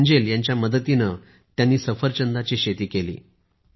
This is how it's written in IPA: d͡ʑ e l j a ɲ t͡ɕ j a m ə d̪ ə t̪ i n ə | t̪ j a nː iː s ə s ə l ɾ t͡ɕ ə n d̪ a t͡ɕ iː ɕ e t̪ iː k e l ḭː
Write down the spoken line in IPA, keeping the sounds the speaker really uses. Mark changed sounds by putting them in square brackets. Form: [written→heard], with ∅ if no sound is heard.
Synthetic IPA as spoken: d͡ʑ e l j a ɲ t͡ɕ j a m ə d̪ ə t̪ i n ə | t̪ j a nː iː s ə [s→f] ə [l→∅] ɾ t͡ɕ ə n d̪ a t͡ɕ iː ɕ e t̪ iː k e l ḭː